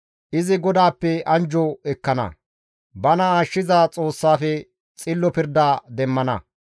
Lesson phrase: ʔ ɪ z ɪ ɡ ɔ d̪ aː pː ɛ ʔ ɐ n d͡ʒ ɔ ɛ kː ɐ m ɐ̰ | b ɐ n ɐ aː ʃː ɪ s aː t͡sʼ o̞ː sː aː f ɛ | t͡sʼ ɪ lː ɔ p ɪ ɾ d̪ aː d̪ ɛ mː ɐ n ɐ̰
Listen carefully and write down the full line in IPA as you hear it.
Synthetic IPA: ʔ ɪ z ɪ ɡ ɔ d̪ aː pː ɛ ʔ ɐ n d͡ʒ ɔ ɛ kː ɐ n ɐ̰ | b ɐ n ɐ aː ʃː ɪ z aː t͡sʼ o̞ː sː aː f ɛ | t͡sʼ ɪ lː ɔ p ɪ ɾ d̪ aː d̪ ɛ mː ɐ n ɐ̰